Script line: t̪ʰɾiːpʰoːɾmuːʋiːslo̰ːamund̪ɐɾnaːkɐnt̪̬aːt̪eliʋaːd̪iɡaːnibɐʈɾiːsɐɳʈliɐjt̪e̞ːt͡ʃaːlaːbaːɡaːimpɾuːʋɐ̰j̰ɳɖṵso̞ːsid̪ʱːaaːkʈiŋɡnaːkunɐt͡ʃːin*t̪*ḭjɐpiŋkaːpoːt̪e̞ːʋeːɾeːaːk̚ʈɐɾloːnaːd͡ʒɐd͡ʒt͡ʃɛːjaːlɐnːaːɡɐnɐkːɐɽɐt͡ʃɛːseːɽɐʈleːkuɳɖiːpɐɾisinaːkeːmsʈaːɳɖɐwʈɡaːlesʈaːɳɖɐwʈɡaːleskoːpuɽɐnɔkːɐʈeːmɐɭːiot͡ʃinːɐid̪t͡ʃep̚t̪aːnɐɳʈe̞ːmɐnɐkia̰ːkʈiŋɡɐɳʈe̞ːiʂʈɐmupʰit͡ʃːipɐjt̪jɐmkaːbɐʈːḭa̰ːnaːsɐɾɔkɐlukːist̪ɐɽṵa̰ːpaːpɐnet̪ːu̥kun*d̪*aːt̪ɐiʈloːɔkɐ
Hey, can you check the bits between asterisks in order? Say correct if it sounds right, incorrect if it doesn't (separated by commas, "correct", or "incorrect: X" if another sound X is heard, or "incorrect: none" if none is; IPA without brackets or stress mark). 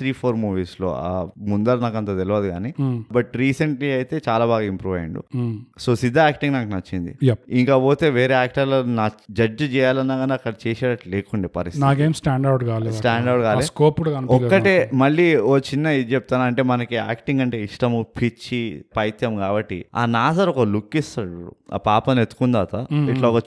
incorrect: d̪, correct